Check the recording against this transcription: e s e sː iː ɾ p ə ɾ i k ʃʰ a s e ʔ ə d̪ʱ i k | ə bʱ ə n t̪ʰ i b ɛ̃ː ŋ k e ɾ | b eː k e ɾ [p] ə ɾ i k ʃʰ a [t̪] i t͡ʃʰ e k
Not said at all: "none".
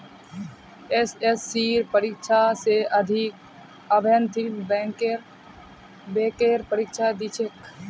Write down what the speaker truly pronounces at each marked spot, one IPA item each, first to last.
p, d̪

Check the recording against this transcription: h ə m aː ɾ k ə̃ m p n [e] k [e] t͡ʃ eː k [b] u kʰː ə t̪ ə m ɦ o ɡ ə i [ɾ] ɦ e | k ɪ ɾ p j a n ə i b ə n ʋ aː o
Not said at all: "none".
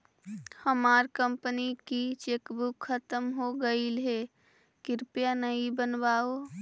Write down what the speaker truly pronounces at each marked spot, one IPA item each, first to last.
i, i, b, l

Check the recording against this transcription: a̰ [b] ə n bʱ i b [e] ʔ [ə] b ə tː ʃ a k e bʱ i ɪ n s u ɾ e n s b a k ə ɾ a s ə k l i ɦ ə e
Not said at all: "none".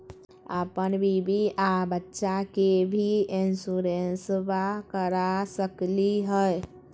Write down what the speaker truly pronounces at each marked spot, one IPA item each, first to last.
p, i, a

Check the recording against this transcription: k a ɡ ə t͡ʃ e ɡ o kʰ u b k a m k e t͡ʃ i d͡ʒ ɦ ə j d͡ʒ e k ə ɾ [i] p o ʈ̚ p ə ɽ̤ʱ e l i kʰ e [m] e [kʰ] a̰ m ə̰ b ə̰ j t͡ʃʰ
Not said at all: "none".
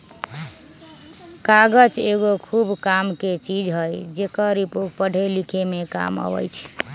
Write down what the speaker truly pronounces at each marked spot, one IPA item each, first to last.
i, m, k

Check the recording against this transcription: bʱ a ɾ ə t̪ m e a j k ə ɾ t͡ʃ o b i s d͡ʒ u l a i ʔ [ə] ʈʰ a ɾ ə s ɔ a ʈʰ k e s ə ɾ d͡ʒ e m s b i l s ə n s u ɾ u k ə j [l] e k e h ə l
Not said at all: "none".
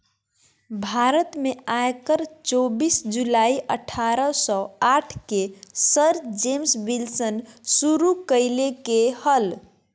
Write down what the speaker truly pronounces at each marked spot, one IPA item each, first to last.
ə, l

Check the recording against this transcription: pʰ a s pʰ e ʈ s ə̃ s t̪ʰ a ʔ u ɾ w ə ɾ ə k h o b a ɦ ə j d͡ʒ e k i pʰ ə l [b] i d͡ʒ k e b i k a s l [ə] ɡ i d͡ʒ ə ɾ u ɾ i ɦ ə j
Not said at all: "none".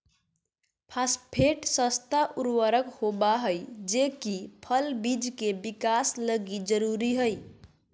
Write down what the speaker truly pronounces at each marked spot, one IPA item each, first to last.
b, ə

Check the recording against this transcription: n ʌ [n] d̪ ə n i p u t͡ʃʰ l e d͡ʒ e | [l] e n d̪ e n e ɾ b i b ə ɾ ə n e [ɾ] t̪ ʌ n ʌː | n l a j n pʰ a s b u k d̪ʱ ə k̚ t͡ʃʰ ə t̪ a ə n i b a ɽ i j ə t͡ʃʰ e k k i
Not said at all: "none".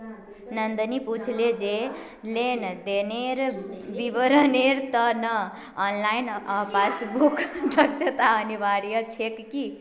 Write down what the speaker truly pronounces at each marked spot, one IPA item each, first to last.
n, l, ɾ

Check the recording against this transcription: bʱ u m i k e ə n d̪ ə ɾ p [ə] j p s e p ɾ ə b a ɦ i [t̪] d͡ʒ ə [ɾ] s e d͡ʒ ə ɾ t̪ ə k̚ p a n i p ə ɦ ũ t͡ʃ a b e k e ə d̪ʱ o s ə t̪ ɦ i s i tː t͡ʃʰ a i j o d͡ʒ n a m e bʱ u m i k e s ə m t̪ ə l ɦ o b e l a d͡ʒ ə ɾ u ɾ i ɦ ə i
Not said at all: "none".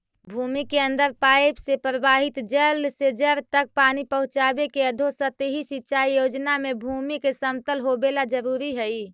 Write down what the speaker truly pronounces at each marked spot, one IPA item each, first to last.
a, t̪, l

